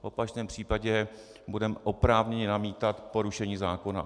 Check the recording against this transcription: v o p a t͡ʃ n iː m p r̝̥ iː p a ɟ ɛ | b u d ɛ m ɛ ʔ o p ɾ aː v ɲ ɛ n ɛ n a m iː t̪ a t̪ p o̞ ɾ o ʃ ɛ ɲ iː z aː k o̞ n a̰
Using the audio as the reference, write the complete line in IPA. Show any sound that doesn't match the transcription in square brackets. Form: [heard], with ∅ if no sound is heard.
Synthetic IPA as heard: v o p a t͡ʃ n [ɛː] m p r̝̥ iː p a ɟ ɛ | b u d ɛ m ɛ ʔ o p ɾ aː v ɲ ɛ [ɲ] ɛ n a m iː t̪ a t̪ p o̞ ɾ [u] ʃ ɛ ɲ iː z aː k o̞ n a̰